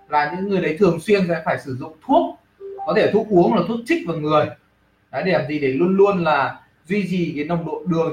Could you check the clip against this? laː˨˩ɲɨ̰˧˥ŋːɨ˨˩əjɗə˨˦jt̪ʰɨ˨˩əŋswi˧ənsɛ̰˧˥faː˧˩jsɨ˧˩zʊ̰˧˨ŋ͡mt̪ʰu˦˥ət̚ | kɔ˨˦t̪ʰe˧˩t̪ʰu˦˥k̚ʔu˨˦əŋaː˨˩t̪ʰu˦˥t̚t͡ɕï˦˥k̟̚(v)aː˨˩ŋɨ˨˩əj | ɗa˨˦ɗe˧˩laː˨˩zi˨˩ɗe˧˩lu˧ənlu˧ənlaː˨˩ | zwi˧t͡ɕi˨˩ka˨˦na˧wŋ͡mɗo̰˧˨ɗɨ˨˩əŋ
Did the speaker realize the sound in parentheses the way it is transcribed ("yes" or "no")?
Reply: yes